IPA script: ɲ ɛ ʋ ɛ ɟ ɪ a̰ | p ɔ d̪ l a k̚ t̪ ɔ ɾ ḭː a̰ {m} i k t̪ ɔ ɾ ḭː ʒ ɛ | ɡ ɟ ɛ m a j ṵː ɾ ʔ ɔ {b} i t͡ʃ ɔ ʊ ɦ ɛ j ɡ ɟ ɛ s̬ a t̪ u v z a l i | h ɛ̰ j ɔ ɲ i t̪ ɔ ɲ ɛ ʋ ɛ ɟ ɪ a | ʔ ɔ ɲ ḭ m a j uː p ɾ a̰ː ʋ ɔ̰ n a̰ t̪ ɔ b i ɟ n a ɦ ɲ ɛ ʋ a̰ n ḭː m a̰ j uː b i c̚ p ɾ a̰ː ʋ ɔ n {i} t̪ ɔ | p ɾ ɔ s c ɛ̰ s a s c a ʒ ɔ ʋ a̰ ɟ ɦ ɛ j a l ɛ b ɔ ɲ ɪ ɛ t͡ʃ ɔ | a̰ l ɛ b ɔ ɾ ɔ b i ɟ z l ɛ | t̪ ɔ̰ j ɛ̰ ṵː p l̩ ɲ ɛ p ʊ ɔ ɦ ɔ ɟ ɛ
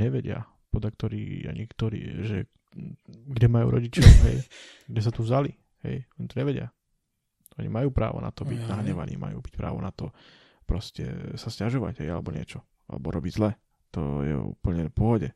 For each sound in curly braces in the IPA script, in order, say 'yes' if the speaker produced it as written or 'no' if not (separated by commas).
no, no, no